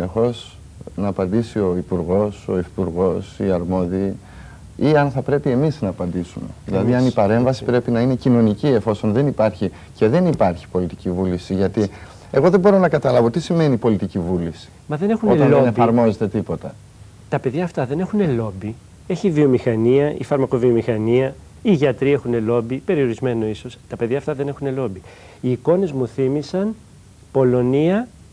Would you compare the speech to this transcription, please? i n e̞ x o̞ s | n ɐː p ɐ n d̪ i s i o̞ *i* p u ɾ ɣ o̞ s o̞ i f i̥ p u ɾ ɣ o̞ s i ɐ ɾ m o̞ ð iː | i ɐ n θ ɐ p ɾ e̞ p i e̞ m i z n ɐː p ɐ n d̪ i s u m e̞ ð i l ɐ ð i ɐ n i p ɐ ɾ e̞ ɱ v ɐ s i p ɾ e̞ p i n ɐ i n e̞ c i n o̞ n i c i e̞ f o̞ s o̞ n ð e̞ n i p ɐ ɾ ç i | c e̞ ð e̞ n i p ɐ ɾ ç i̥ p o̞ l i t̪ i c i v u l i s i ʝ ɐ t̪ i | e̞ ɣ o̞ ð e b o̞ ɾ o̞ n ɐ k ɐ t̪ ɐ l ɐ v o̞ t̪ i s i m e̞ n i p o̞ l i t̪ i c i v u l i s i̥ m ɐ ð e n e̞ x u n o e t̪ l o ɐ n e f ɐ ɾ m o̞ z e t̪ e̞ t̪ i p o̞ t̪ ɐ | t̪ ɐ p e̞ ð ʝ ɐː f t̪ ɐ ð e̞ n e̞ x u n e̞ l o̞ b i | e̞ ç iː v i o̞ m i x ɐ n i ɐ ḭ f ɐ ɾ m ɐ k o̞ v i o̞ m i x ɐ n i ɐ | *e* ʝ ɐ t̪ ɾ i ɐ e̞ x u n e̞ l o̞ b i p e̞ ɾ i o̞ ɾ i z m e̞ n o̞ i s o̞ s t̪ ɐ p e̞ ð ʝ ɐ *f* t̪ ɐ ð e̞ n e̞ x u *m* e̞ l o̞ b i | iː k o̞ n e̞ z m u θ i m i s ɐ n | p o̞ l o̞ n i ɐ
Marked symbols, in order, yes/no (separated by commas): yes, no, yes, no